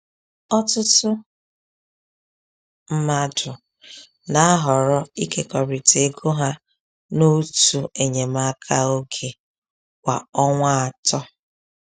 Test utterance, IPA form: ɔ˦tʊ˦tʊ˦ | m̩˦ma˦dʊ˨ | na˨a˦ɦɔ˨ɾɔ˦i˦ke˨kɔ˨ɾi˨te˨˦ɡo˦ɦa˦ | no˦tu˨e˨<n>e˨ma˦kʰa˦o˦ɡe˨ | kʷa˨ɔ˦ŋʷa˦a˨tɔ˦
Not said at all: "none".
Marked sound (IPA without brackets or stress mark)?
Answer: ɲ